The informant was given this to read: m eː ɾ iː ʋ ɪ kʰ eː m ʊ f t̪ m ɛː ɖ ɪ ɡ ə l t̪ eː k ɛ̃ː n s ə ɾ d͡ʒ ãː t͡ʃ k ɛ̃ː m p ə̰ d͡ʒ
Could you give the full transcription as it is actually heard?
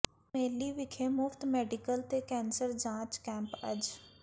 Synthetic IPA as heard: m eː l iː ʋ ɪ kʰ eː m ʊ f t̪ m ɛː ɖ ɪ k ə l t̪ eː k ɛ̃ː n s ə ɾ d͡ʒ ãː t͡ʃ k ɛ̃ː m p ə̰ d͡ʒ